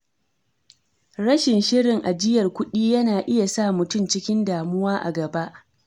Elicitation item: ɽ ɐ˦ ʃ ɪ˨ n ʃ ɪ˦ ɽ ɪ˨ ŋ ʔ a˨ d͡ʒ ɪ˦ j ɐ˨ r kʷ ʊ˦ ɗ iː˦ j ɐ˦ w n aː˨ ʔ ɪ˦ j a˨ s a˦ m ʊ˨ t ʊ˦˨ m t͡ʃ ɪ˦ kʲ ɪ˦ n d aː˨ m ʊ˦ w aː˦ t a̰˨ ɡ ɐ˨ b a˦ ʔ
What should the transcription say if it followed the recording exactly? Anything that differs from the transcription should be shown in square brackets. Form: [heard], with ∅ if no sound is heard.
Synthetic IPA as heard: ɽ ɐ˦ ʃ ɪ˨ n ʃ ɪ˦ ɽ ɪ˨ ŋ ʔ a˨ d͡ʒ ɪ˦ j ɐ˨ r kʷ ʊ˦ ɗ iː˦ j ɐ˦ [∅] n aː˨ ʔ ɪ˦ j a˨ s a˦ m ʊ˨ t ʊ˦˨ m t͡ʃ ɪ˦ kʲ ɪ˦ n d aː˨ m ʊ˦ w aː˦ [ʔ] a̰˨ ɡ ɐ˨ b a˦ ʔ